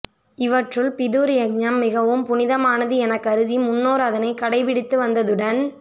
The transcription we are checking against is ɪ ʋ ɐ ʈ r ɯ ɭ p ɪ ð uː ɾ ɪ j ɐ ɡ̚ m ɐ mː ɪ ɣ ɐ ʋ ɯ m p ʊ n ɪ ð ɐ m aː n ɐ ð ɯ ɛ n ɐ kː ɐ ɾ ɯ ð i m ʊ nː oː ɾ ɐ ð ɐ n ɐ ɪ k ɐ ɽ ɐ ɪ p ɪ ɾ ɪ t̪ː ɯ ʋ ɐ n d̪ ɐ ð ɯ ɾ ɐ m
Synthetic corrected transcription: ɪ ʋ ɐ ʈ r ɯ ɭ p ɪ ð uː ɾ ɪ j ɐ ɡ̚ ɲ ɐ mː ɪ ɣ ɐ ʋ ɯ m p ʊ n ɪ ð ɐ m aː n ɐ ð ɯ ɛ n ɐ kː ɐ ɾ ɯ ð i m ʊ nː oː ɾ ɐ ð ɐ n ɐ ɪ k ɐ ɽ ɐ ɪ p ɪ ɽ ɪ t̪ː ɯ ʋ ɐ n d̪ ɐ ð ɯ ɽ ɐ n